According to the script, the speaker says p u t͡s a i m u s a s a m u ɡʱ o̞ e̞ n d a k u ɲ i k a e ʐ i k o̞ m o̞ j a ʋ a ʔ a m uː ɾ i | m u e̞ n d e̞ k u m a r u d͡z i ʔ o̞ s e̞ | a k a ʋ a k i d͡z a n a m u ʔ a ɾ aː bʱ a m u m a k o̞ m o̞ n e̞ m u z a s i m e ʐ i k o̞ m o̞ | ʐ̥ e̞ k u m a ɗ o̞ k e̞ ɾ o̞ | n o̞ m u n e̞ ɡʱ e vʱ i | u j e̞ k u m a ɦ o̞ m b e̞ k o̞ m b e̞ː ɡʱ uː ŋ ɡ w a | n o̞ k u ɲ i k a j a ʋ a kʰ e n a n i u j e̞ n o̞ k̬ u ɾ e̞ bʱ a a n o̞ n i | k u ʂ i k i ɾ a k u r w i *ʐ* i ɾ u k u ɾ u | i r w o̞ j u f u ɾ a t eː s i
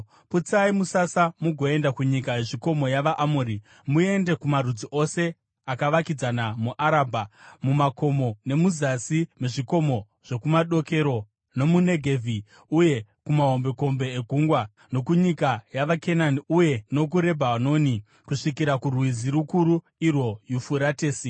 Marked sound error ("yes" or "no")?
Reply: yes